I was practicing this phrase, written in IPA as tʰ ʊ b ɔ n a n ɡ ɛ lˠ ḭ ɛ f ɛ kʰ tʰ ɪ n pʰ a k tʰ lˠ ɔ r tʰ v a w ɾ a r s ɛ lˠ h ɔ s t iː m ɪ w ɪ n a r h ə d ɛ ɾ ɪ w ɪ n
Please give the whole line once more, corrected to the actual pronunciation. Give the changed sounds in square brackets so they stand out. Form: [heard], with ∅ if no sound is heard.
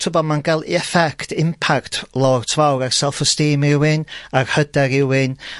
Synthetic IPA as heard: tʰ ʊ b ɔ [m] a n ɡ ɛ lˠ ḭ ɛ f ɛ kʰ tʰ ɪ [m] pʰ a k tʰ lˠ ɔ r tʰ v a w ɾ a r s ɛ lˠ [f] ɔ s t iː m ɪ w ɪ n a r h ə d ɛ ɾ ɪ w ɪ n